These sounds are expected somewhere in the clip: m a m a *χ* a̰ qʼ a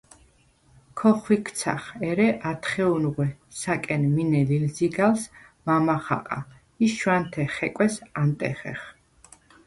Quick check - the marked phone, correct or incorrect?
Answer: correct